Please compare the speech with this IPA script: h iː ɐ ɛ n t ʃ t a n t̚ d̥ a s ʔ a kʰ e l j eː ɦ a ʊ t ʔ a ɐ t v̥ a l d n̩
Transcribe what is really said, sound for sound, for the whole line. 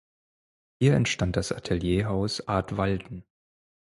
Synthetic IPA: h iː ɐ ɛ n t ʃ t a n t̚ d̥ a s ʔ a tʰ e l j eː ɦ a ʊ s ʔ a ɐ t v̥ a l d n̩